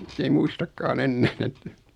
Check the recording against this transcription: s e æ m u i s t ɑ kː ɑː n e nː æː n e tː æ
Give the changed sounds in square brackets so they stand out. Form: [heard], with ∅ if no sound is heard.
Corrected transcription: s e [i] m u i s t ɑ kː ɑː n e nː æː n e tː æ